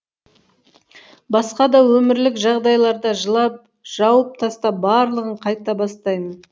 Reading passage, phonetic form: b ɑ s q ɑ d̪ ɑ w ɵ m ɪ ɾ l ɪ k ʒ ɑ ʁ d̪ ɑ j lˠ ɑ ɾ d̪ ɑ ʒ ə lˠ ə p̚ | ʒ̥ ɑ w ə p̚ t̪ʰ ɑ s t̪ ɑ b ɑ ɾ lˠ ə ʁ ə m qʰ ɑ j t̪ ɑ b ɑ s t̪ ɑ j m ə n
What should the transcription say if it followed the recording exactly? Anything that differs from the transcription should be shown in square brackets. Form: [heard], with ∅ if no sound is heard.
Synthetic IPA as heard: b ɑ s q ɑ d̪ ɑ w ɵ m ɪ ɾ l ɪ k ʒ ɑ ʁ d̪ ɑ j lˠ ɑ ɾ d̪ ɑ ʒ ə lˠ [ɑ] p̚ | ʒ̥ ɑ w ə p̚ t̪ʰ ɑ s t̪ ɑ b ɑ ɾ lˠ ə ʁ ə [ɴ] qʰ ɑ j t̪ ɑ b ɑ s t̪ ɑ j m ə n